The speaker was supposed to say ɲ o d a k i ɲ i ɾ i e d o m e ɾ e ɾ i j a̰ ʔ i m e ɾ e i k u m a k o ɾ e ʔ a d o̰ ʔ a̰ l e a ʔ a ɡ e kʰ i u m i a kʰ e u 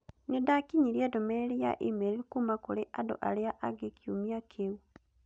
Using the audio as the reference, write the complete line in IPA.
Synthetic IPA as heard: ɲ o d a k i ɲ i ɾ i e d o m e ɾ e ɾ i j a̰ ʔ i m e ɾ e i k u m a k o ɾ e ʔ a d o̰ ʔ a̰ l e a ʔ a ɡ e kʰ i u m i a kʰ e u